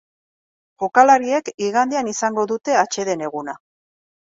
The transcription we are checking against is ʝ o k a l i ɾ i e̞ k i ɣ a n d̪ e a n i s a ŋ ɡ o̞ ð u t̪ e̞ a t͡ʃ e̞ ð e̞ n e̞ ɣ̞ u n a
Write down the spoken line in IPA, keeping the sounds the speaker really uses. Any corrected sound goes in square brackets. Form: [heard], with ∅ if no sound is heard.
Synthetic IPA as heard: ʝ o k a l [a] ɾ i e̞ k i ɣ a n d̪ e a n i s a ŋ ɡ o̞ ð u t̪ e̞ a t͡ʃ e̞ ð e̞ n e̞ ɣ̞ u n a